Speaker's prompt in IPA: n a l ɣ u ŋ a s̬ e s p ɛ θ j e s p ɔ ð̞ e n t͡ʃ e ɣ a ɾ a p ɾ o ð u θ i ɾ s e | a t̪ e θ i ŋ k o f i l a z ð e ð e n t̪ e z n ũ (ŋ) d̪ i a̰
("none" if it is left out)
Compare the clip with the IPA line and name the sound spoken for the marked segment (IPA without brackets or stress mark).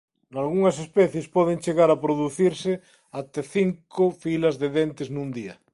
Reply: n